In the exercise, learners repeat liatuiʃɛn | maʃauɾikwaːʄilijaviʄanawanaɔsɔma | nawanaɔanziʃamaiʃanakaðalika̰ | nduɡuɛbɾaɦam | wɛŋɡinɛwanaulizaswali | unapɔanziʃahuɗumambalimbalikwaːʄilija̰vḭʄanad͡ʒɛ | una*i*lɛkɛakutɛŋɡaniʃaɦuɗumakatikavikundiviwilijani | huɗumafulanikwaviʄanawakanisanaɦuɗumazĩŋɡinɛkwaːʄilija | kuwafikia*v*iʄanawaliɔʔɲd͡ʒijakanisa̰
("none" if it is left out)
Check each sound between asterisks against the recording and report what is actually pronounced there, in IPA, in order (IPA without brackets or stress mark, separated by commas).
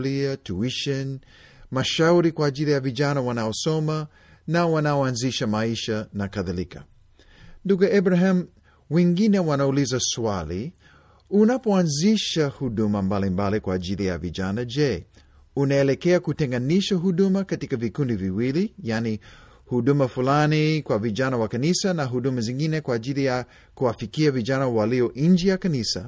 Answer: ɛ, v